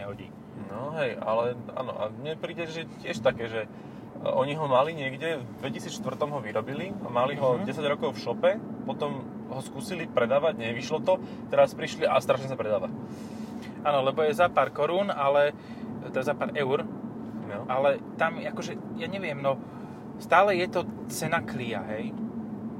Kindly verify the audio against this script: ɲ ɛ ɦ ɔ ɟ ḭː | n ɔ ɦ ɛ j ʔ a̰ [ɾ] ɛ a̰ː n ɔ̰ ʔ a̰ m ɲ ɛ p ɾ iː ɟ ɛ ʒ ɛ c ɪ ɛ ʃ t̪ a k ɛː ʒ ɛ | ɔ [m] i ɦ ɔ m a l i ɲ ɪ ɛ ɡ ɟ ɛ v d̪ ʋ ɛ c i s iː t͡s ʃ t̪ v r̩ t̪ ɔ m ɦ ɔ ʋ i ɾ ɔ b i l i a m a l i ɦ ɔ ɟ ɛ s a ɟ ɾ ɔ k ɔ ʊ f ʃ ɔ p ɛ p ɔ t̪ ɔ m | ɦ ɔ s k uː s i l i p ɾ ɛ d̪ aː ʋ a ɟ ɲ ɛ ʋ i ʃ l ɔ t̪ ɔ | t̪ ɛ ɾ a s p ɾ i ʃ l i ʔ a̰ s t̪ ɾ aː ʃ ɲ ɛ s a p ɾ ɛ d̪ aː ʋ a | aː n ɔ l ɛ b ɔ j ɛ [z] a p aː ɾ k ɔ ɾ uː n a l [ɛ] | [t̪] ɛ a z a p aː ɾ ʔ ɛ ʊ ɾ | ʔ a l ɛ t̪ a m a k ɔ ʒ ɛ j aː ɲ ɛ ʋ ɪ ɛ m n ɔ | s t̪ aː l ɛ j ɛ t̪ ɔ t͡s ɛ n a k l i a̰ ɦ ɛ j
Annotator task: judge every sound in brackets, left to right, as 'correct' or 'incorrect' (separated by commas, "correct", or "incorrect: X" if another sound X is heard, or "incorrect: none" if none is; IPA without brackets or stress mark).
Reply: incorrect: l, incorrect: ɲ, correct, correct, correct